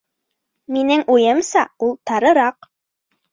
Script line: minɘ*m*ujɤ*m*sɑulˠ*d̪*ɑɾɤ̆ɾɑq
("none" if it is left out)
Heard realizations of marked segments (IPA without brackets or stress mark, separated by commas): ŋ, m, t̪